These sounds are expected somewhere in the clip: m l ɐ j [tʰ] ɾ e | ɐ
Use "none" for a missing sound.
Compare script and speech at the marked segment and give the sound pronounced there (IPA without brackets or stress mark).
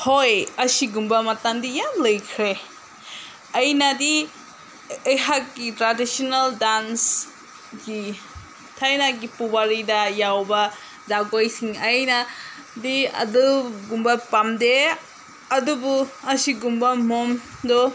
kʰ